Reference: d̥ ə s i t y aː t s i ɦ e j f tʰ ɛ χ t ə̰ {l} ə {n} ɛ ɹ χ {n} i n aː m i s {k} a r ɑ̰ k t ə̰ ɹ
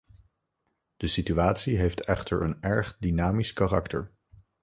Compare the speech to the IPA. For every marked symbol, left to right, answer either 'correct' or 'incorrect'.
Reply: incorrect, correct, incorrect, correct

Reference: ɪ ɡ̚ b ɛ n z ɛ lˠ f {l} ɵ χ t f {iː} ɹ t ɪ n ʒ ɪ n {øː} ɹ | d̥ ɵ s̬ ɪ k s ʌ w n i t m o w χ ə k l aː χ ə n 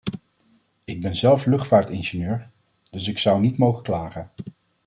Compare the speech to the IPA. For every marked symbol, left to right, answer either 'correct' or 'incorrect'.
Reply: correct, incorrect, correct

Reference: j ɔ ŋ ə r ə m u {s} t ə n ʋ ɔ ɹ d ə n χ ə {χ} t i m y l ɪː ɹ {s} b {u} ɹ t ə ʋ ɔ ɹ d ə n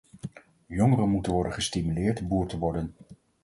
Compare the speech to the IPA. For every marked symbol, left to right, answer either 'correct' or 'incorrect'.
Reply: incorrect, incorrect, incorrect, incorrect

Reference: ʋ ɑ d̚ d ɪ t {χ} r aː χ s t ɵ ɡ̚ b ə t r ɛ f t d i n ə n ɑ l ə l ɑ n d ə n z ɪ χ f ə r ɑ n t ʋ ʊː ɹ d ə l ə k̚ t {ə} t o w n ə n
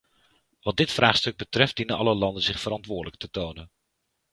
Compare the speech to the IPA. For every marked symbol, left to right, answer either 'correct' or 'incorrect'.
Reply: incorrect, correct

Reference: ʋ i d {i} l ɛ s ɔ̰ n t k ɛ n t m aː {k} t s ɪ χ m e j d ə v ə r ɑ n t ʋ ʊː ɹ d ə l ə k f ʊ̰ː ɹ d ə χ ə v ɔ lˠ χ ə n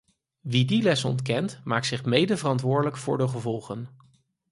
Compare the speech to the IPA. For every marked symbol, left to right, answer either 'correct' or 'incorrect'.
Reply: correct, correct

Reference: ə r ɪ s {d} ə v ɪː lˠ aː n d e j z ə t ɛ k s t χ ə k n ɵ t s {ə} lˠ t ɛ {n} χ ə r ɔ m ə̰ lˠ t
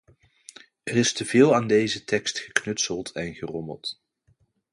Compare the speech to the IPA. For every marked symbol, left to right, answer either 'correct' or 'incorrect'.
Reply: incorrect, correct, correct

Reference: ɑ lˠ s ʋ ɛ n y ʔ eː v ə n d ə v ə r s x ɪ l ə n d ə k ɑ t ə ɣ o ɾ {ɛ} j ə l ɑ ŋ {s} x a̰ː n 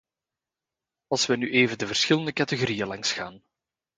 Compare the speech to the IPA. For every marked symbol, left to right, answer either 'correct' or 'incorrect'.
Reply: incorrect, correct

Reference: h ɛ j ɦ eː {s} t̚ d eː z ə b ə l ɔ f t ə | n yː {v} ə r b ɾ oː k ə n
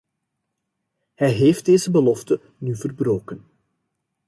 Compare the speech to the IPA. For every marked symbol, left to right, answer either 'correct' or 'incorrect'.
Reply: incorrect, correct

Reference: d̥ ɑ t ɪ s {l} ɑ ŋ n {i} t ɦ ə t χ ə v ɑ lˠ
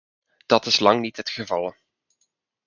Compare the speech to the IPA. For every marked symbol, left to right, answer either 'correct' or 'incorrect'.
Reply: correct, correct

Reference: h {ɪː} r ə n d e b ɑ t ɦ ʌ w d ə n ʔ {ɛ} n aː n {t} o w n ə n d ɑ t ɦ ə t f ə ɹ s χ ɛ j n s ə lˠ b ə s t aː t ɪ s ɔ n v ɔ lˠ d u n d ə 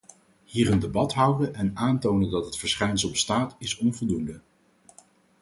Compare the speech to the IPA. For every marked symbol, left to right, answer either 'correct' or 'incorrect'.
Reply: incorrect, correct, correct

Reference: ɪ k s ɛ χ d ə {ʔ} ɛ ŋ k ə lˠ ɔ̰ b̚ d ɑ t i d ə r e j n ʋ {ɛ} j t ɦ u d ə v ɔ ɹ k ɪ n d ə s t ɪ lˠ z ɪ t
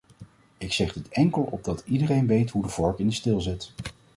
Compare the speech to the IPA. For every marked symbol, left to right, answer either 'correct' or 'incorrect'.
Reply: incorrect, incorrect

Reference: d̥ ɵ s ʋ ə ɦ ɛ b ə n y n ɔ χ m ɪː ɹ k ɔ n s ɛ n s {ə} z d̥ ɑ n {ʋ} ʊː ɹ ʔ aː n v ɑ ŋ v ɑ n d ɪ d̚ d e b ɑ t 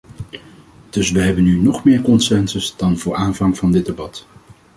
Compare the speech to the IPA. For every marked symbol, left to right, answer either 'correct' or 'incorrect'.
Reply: correct, incorrect

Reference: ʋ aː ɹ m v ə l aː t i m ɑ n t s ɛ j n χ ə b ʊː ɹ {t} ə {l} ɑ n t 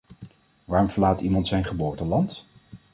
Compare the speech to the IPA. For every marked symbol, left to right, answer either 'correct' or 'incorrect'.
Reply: correct, correct

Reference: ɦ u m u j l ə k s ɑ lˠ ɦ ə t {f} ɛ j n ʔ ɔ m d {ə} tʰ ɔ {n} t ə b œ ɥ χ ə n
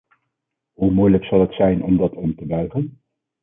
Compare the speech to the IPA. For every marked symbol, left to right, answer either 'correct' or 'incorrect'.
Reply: incorrect, incorrect, incorrect

